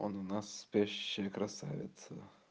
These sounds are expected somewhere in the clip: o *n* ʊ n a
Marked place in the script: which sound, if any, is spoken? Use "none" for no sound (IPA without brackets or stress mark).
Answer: n